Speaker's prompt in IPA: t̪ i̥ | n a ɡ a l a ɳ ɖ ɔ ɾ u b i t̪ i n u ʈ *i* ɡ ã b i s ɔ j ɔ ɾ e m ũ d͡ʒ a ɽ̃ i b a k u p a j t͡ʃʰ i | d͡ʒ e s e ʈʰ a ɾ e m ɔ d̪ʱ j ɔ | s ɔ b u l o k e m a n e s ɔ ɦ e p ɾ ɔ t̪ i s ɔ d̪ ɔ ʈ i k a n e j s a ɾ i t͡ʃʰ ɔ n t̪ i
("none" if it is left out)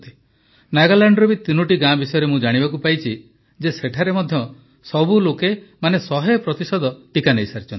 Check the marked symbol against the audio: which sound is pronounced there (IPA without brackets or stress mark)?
i